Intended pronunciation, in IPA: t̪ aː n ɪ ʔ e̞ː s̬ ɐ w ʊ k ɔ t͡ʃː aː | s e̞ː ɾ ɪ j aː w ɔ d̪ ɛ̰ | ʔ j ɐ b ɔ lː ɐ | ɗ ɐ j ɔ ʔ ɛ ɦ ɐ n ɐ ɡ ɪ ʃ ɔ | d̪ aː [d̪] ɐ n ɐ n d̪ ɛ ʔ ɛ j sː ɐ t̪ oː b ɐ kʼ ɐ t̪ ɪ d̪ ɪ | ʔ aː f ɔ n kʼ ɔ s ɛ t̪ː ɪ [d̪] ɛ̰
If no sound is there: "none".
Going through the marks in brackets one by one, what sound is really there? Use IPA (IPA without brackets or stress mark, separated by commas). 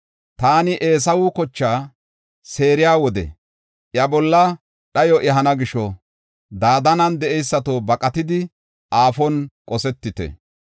d̪, t̪